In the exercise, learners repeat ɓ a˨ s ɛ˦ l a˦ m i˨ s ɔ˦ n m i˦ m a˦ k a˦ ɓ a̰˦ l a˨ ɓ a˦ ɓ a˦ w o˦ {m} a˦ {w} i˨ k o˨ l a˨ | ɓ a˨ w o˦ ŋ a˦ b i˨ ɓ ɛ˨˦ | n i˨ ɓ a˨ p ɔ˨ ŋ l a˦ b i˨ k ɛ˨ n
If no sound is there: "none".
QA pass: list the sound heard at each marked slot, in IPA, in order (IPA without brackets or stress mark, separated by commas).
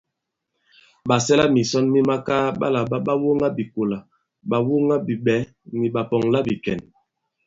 ŋ, b